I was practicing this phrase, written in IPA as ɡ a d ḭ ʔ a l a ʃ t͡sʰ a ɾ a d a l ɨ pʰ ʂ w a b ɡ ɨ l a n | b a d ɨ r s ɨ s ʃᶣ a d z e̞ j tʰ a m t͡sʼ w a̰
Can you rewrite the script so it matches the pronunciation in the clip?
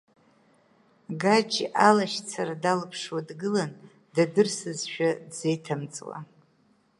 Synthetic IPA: ɡ a d͡ʒ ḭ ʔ a l a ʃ t͡sʰ a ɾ a d a l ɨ pʰ ʂ w a d ɡ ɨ l a n | d a d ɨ r s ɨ z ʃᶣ a d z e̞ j tʰ a m t͡sʼ w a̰